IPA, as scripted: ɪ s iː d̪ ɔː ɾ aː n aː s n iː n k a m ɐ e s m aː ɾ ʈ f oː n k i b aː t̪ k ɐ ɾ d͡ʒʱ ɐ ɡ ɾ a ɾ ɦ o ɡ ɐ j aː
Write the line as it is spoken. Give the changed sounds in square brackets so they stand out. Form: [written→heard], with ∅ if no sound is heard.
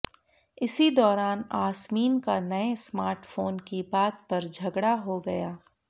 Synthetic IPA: ɪ s [iː→i] d̪ ɔː ɾ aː n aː s [n→m] iː n k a [m→n] ɐ e s m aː ɾ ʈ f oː n k i b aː t̪ [k→p] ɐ ɾ d͡ʒʱ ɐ ɡ [ɾ→ɽ] a [ɾ→∅] ɦ o ɡ ɐ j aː